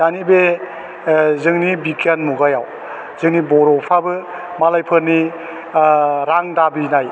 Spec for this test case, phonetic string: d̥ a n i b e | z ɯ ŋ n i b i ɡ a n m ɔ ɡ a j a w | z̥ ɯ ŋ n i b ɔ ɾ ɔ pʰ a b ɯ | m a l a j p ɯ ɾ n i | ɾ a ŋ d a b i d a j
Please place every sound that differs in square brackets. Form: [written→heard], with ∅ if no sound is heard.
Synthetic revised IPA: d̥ a n i b e | z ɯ ŋ n i b i [ɡ→k] a n m [ɔ→u] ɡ a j a w | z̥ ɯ ŋ n i b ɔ ɾ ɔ pʰ a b ɯ | m a l a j [p→pʰ] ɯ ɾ n i | ɾ a ŋ d a b i [d→n] a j